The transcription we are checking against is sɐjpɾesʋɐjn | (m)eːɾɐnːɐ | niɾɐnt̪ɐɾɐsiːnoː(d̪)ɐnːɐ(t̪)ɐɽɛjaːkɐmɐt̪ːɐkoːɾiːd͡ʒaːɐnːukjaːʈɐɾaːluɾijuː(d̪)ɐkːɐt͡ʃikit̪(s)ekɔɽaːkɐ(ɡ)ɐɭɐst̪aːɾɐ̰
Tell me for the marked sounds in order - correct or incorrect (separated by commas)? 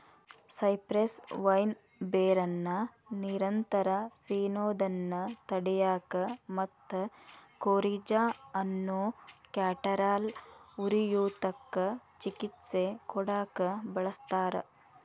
incorrect, correct, correct, incorrect, correct, incorrect